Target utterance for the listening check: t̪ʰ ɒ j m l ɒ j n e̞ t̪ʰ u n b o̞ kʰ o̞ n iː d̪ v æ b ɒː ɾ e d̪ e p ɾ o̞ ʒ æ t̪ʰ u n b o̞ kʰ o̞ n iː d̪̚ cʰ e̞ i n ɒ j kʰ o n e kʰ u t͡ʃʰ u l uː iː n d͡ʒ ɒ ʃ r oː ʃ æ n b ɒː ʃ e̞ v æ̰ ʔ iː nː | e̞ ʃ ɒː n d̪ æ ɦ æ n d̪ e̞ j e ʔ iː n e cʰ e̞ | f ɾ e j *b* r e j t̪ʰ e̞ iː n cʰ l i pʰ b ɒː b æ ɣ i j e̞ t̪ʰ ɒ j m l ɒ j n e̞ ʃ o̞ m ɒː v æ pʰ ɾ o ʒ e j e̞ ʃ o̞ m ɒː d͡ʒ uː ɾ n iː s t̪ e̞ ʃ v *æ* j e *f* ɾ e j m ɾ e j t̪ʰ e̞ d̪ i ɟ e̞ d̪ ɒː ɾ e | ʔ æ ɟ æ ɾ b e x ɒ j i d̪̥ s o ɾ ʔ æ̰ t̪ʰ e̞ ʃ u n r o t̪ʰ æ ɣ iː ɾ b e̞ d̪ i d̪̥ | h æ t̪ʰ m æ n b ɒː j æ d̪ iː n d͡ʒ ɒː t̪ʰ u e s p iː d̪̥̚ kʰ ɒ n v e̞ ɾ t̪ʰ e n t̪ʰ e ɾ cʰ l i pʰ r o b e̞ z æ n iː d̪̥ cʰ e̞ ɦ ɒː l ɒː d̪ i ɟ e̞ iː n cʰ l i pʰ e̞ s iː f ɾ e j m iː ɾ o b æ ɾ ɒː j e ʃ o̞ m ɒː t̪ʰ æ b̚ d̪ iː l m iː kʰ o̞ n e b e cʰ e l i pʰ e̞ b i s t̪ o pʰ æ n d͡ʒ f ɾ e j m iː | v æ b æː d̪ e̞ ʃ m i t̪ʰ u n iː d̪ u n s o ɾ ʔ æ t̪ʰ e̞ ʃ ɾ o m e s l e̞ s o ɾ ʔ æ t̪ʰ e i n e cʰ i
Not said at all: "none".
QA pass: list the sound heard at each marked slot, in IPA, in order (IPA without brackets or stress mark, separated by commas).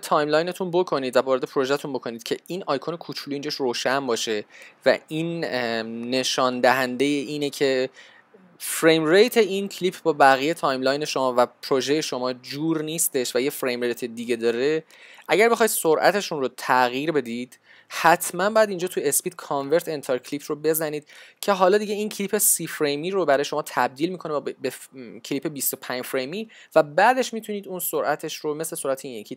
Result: m, æ, f